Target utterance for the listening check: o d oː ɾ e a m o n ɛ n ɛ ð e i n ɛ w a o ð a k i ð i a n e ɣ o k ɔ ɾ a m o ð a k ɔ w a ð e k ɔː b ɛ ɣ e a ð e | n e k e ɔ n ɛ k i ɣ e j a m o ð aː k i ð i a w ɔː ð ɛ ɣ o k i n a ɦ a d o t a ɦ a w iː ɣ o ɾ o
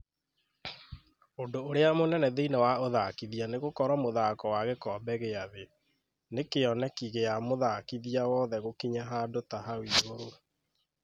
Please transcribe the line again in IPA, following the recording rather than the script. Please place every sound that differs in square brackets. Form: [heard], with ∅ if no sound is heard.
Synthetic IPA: o d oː ɾ e a m o n ɛ n ɛ ð e i n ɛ w a o ð a k i ð i a n e ɣ o k ɔ ɾ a m o ð a k ɔ w a [ɣ] e k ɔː b ɛ ɣ e a ð e | n e k e ɔ n ɛ k i ɣ e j a m o ð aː k i ð i a w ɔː ð ɛ ɣ o k i [ɲ] a ɦ a d o t a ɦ a w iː ɣ o ɾ o

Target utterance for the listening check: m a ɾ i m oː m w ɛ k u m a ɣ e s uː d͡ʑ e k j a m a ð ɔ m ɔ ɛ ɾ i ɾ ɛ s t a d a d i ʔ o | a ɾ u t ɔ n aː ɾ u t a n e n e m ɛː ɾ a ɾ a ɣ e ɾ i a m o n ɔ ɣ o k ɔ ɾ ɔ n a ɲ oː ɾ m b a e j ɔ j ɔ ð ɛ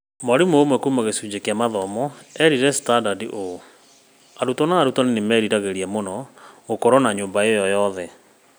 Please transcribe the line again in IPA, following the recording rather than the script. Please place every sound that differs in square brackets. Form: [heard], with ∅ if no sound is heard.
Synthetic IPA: m a ɾ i m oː m w ɛ k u m a ɣ e s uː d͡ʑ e k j a m a ð ɔ m ɔ ɛ ɾ i ɾ ɛ s t a d a d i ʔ o | a ɾ u t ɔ n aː ɾ u t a n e n e m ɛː ɾ [i] ɾ a ɣ e ɾ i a m o n ɔ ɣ o k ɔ ɾ ɔ n a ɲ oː [∅] m b a e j ɔ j ɔ ð ɛ

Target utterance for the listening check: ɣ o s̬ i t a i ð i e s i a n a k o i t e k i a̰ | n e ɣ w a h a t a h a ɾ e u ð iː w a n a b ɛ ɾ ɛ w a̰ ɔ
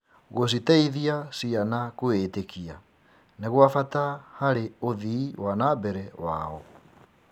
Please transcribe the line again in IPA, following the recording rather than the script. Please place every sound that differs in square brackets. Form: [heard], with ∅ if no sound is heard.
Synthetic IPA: ɣ o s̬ i t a i ð i [a] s i a n a k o [e] t e k i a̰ | n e ɣ w a [f] a t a h a ɾ e [o] ð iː w a n a b ɛ ɾ ɛ w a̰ ɔ

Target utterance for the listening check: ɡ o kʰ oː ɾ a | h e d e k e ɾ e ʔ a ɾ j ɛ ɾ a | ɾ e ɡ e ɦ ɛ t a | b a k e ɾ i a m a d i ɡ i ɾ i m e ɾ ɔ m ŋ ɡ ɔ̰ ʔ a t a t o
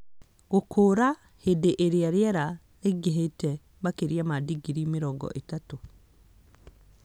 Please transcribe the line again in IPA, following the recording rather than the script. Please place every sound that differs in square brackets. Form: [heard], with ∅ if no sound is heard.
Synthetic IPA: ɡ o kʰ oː ɾ a | h e d e [ʔ] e ɾ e [∅] a ɾ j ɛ ɾ a | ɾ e ɡ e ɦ [e] t [ɛ] | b a k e ɾ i a m a d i ɡ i ɾ i m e ɾ ɔ [∅] ŋ ɡ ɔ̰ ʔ [e] t a t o

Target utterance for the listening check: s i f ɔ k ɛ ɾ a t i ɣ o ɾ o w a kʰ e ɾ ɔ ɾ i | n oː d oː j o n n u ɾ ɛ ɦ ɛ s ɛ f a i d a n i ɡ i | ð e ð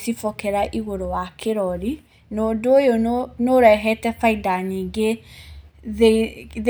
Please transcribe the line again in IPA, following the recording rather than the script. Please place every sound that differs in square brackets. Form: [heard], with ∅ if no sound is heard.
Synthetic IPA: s i f ɔ k ɛ ɾ a [ʔ] i ɣ o ɾ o w a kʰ e ɾ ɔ ɾ i | n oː d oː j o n n [o] ɾ ɛ ɦ ɛ [t] ɛ f a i d a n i ɡ [e] | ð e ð

